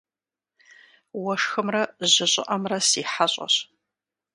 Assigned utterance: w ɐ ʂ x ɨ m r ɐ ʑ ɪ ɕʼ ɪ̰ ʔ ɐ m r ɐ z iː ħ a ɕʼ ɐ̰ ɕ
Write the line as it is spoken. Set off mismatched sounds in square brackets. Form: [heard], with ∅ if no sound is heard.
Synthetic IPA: w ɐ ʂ x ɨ m r ɐ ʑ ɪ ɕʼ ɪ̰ ʔ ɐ m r ɐ [s] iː ħ a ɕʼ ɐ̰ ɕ